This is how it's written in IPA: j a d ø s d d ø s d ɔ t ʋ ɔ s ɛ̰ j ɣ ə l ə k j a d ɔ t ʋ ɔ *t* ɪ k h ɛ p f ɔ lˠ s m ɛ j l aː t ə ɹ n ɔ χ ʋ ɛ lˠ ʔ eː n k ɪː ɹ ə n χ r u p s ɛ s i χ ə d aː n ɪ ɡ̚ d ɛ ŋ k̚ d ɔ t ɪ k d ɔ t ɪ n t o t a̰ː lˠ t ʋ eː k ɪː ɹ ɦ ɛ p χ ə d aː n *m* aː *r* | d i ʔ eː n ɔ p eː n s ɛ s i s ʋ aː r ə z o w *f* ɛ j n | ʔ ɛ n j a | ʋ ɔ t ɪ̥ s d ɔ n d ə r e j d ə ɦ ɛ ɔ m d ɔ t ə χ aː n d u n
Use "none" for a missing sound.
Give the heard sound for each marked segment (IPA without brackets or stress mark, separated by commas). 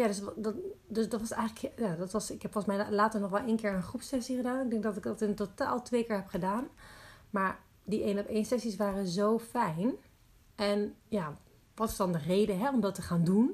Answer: s, m, ɹ, f